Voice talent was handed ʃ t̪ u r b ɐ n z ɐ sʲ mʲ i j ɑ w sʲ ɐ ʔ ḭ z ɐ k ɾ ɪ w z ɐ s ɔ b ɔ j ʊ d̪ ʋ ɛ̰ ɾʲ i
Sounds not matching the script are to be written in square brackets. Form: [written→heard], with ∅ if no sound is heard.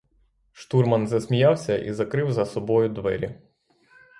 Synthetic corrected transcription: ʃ t̪ u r [b→m] ɐ n z ɐ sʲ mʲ i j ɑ w sʲ ɐ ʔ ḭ z ɐ k ɾ ɪ w z ɐ s ɔ b ɔ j ʊ d̪ ʋ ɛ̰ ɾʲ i